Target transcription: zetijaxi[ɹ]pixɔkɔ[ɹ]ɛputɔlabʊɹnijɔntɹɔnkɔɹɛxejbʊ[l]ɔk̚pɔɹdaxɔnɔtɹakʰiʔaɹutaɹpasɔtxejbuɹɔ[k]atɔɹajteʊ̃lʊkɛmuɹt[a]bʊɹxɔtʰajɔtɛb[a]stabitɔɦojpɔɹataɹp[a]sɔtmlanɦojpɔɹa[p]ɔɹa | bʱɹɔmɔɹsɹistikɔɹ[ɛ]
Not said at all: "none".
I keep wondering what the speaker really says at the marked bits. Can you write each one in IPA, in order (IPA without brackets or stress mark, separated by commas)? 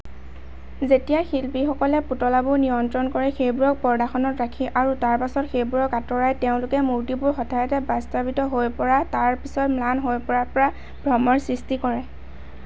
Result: l, l, ɹ, k, i, a, i, p, ɛ